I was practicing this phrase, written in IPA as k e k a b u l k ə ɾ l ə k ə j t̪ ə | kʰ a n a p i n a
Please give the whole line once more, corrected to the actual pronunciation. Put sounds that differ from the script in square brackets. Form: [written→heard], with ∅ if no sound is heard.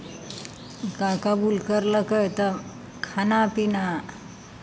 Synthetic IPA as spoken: k [e→a] k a b u l k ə ɾ l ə k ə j t̪ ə | kʰ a n a p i n a